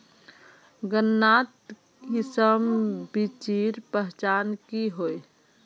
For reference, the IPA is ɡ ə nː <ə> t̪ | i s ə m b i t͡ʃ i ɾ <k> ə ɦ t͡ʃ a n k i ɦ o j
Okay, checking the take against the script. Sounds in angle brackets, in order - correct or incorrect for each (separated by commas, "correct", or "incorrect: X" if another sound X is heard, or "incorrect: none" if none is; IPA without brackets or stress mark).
incorrect: a, incorrect: p